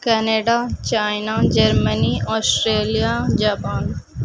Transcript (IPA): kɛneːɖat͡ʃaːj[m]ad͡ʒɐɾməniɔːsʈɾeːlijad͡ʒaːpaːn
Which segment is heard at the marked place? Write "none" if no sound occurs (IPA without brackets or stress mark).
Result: n